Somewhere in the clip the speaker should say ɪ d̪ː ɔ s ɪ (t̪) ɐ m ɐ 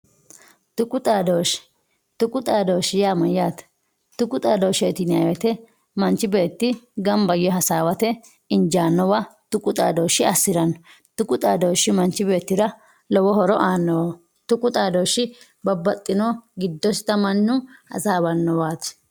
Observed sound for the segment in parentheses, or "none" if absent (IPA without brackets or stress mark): t̪